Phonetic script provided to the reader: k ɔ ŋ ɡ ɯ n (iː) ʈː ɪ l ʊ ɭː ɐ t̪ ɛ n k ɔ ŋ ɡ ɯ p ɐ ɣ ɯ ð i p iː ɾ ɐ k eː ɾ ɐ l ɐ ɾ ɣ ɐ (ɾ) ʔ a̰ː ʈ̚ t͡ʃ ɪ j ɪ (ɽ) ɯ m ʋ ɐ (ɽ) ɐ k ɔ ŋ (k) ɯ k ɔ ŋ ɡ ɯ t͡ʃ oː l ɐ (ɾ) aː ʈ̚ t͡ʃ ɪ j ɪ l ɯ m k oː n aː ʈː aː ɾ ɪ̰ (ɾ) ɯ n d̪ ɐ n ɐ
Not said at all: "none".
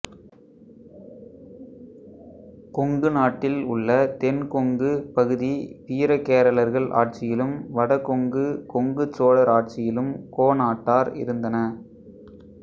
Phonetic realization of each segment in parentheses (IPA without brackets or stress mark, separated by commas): aː, ɭ, l, ɽ, ɡ, ɾ, ɾ